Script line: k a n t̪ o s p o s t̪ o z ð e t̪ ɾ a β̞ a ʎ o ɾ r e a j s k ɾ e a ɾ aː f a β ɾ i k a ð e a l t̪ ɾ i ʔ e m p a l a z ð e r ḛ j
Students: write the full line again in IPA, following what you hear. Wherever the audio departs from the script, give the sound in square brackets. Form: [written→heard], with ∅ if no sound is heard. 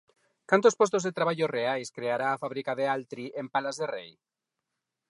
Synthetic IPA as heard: k a n t̪ o s p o s t̪ o z ð e t̪ ɾ a β̞ a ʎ o [ɾ→∅] r e a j s k ɾ e a ɾ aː f a β ɾ i k a ð e a l t̪ ɾ i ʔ e m p a l a z ð e r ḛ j